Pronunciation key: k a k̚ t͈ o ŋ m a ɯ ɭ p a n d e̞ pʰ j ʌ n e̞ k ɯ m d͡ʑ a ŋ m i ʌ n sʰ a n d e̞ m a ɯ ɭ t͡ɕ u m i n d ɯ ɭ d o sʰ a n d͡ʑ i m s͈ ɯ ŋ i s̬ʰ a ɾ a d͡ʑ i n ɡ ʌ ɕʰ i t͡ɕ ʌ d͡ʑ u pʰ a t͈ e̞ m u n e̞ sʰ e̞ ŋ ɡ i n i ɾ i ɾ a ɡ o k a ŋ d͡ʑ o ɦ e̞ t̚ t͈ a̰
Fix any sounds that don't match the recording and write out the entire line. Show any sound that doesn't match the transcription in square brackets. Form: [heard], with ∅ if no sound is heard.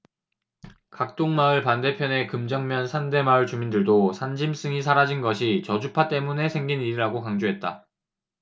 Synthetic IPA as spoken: k a k̚ t͈ o ŋ m a ɯ ɭ p a n d e̞ pʰ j ʌ n e̞ k ɯ m d͡ʑ [ʌ] ŋ m [j] ʌ n sʰ a n d e̞ m a ɯ ɭ t͡ɕ u m i n d ɯ ɭ d o sʰ a n d͡ʑ i m s͈ ɯ ŋ i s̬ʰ a ɾ a d͡ʑ i n ɡ ʌ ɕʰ i t͡ɕ ʌ d͡ʑ u pʰ a t͈ e̞ m u n e̞ sʰ e̞ ŋ ɡ i n i ɾ i ɾ a ɡ o k a ŋ d͡ʑ o ɦ e̞ t̚ t͈ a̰